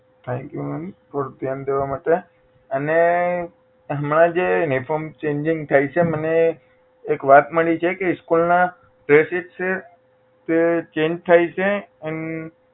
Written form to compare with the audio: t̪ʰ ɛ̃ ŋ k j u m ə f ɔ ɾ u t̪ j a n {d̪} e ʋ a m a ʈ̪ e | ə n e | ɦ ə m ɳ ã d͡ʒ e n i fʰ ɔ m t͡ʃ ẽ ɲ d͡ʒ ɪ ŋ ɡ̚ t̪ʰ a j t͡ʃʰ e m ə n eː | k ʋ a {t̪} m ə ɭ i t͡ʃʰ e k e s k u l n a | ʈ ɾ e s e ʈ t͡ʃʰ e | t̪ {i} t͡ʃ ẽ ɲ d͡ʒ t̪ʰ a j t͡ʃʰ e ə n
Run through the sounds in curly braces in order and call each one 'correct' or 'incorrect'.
correct, correct, incorrect: e

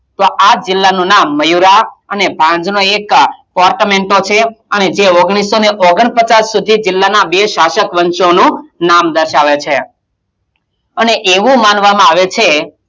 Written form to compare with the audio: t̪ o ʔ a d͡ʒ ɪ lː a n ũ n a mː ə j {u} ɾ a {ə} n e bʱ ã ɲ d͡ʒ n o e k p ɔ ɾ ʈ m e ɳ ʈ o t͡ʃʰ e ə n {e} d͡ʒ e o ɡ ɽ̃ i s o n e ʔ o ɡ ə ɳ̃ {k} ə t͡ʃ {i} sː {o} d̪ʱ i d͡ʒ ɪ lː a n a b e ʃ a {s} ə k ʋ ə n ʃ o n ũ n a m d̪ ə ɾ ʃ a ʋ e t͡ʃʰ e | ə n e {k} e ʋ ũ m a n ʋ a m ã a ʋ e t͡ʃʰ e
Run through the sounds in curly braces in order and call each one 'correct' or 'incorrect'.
correct, correct, correct, incorrect: p, incorrect: a, incorrect: u, incorrect: ʃ, incorrect: ʔ

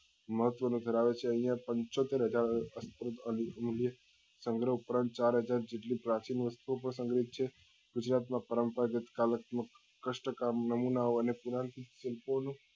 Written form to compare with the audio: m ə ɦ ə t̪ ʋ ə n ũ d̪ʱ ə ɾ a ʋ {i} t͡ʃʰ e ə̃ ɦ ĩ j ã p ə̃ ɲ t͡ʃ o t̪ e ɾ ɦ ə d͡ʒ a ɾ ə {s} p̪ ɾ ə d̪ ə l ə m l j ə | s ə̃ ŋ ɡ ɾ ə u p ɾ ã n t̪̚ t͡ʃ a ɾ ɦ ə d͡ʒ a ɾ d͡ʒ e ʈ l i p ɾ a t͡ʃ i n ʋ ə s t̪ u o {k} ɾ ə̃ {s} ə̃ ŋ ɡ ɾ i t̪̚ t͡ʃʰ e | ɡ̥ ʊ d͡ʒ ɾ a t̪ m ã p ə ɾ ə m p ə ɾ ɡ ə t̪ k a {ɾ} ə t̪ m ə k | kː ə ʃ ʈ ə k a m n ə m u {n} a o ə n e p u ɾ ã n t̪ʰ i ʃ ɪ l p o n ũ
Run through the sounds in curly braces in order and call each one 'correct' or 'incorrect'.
incorrect: e, correct, incorrect: p, correct, incorrect: l, correct

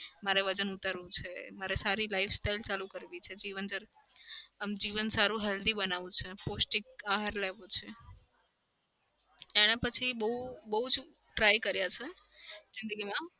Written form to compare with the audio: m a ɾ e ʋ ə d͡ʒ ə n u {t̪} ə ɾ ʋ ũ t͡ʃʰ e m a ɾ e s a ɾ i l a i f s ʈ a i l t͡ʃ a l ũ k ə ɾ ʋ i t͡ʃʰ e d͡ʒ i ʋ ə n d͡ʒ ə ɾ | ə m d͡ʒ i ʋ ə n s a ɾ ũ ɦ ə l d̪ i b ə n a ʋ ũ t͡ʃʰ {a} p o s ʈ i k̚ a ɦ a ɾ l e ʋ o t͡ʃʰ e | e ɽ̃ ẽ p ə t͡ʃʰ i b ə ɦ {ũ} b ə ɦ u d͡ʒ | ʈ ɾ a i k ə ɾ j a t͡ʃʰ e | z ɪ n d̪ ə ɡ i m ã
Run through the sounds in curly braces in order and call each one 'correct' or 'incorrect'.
correct, incorrect: e, incorrect: u

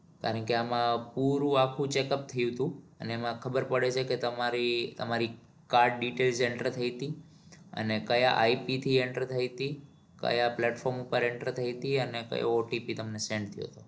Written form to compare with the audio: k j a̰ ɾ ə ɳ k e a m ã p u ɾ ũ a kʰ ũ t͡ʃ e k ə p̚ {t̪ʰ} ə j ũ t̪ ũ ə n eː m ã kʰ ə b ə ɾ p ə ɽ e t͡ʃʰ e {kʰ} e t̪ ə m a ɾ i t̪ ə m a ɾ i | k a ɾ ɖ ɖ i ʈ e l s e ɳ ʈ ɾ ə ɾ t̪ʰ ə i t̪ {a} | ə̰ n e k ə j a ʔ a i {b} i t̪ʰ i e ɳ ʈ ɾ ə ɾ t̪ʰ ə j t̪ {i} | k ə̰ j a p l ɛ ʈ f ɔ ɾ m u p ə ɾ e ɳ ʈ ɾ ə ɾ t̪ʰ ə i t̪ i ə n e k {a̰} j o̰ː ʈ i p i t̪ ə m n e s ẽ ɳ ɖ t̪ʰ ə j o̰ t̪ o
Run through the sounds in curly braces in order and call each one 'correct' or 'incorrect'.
correct, incorrect: k, incorrect: i, incorrect: p, correct, incorrect: ə̰

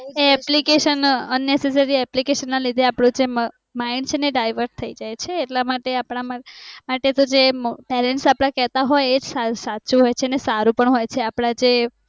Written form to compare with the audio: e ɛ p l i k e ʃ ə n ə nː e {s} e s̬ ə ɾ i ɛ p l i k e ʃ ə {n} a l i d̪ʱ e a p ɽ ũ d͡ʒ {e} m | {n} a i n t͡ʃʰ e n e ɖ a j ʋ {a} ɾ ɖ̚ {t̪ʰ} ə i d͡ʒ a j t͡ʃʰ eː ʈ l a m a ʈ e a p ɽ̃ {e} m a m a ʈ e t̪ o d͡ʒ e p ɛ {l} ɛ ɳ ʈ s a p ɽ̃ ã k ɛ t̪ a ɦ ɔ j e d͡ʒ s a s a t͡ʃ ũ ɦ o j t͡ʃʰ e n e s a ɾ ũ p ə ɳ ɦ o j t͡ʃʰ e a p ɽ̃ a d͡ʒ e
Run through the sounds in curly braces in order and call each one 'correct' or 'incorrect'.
correct, incorrect: nː, correct, incorrect: m, incorrect: ə, correct, incorrect: a, incorrect: ɾ

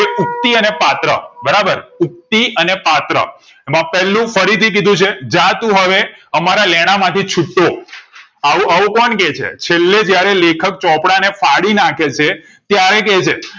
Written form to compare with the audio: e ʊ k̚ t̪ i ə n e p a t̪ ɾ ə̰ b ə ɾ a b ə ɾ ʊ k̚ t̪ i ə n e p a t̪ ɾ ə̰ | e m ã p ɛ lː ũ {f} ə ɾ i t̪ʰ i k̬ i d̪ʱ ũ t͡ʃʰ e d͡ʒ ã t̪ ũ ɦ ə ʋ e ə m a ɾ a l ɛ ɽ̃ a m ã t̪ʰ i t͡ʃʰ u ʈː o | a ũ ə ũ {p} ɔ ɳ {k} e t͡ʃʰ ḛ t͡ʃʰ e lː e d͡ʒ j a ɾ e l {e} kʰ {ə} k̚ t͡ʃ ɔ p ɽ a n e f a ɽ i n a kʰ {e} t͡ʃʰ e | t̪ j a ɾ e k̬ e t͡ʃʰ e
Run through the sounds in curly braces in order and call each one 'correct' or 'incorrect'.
correct, incorrect: k, correct, correct, correct, correct

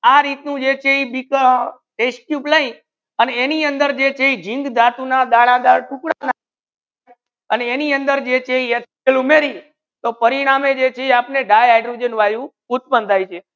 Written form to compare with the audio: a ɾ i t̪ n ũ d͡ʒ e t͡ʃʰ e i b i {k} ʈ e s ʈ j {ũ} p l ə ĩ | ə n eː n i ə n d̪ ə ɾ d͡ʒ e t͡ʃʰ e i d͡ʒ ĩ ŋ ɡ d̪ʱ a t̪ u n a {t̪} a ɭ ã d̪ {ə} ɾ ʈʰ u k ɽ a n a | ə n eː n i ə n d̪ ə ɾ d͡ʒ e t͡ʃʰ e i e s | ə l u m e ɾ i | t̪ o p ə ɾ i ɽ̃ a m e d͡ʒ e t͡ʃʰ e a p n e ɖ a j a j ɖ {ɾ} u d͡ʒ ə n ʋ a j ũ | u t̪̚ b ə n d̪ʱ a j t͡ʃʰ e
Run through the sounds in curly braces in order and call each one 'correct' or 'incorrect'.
correct, incorrect: u, incorrect: d̪, incorrect: a, correct

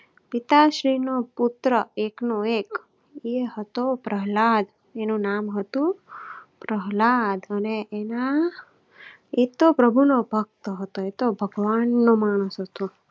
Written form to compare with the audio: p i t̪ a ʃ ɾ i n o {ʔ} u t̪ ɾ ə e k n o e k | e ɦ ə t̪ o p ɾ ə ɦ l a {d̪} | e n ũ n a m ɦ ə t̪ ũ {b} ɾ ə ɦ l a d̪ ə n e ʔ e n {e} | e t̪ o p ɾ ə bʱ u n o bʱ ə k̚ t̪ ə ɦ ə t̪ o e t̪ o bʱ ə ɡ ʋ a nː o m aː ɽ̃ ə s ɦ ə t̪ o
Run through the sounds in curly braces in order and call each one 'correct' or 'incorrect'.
incorrect: p, correct, incorrect: p, incorrect: a

